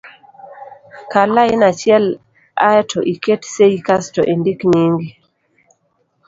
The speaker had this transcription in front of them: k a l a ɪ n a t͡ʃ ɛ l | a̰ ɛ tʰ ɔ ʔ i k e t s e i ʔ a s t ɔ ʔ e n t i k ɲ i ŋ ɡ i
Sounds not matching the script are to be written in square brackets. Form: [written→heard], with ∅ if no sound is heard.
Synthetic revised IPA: k a l a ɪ n a t͡ʃ ɛ l | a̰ ɛ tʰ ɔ ʔ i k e t s e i [ʔ→k] a s t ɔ ʔ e n [t→d] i k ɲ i ŋ ɡ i